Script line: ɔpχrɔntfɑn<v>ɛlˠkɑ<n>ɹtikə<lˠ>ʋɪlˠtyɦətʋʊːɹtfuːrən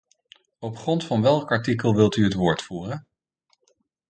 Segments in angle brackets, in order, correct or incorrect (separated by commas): incorrect, incorrect, correct